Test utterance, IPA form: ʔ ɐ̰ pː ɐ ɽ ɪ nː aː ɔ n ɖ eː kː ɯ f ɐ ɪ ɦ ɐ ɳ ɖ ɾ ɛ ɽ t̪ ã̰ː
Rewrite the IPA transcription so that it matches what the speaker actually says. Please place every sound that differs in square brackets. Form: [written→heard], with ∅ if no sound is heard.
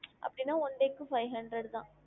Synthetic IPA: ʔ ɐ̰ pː ɐ ɽ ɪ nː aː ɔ n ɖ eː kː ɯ f ɐ ɪ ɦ ɐ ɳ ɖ ɾ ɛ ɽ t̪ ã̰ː